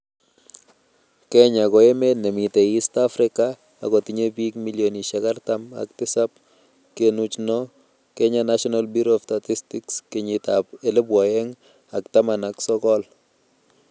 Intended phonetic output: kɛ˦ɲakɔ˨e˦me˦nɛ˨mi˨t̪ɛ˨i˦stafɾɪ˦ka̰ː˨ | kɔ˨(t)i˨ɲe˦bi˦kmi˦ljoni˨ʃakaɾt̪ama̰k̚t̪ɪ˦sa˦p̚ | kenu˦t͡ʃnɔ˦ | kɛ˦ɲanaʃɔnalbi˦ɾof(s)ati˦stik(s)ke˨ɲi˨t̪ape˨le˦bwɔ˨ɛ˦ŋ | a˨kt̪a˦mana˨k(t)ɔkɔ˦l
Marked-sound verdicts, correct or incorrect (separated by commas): correct, incorrect, correct, incorrect